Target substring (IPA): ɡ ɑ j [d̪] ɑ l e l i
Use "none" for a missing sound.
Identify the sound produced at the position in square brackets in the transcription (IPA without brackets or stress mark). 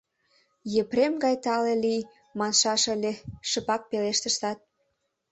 t̪